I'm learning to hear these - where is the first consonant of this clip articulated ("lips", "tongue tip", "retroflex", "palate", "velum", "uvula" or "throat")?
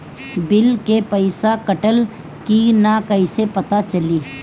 lips